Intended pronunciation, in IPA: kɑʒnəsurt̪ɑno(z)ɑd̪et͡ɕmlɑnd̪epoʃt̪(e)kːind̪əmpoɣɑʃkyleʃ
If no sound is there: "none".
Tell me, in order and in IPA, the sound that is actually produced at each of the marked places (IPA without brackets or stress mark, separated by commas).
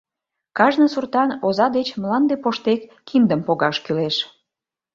z, e